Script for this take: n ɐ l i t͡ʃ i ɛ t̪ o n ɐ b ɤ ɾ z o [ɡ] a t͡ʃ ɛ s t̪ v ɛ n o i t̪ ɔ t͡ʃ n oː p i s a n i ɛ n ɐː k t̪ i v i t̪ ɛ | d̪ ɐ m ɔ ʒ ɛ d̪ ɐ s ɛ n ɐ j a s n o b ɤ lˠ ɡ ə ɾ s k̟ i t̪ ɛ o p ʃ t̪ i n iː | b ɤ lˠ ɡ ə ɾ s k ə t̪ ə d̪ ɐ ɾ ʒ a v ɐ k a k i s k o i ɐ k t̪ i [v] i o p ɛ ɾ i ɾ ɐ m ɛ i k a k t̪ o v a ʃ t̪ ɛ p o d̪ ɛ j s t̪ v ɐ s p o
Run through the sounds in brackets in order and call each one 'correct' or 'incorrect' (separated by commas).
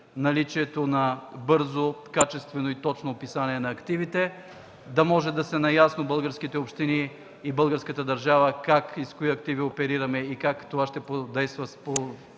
incorrect, correct